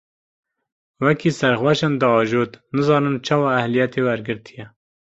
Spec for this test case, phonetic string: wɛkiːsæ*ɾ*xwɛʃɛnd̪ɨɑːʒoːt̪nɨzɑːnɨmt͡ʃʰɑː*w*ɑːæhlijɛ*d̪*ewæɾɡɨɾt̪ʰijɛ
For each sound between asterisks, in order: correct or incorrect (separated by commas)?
correct, correct, incorrect